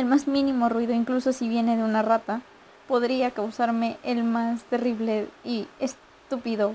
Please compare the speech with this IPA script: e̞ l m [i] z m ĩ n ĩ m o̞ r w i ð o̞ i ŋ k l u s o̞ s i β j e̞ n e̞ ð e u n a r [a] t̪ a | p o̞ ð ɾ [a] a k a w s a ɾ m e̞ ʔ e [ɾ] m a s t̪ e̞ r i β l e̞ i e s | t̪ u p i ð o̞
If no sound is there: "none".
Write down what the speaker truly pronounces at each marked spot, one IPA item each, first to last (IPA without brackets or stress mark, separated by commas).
a, a, i, l